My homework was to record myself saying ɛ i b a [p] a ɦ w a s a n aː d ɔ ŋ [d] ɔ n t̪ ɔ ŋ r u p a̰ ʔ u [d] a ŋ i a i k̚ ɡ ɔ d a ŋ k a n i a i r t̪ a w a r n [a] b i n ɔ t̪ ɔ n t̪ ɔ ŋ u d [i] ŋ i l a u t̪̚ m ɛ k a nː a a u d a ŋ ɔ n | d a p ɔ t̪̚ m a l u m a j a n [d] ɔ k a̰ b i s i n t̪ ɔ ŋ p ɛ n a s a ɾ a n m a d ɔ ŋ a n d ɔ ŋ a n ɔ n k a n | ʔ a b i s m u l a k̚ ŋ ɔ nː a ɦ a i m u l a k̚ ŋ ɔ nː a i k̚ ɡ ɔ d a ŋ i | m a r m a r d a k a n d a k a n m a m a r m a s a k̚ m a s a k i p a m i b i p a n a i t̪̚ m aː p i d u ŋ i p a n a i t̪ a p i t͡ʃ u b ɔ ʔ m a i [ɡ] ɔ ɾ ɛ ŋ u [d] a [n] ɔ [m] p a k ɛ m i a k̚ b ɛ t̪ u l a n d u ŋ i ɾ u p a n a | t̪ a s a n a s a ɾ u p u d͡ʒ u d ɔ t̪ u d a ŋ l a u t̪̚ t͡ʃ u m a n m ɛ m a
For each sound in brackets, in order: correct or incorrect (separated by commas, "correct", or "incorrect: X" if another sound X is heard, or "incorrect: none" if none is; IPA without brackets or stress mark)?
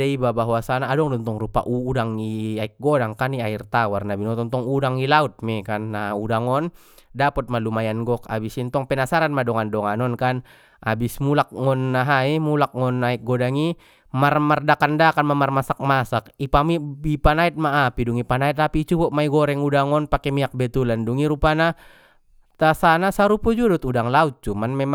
incorrect: b, correct, correct, correct, incorrect: a, incorrect: ɡ, correct, correct, incorrect: ŋ, incorrect: n